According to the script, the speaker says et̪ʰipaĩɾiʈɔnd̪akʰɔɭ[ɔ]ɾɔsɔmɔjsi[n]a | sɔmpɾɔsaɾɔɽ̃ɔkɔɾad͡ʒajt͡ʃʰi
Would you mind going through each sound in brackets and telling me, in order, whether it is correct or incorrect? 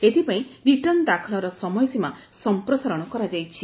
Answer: correct, incorrect: m

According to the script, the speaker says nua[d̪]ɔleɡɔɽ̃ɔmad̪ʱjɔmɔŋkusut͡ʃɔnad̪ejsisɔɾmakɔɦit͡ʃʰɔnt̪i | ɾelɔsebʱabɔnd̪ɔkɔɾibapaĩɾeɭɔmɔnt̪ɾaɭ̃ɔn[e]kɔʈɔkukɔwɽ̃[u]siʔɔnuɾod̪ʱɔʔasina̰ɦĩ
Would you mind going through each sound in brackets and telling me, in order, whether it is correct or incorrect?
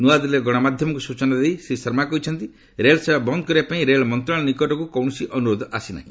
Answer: correct, incorrect: i, incorrect: ɔ

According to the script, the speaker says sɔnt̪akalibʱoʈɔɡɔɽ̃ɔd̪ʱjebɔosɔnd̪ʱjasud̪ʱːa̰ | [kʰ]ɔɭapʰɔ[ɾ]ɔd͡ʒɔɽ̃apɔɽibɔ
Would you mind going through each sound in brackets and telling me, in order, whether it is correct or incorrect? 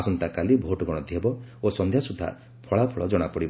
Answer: incorrect: pʰ, incorrect: ɭ

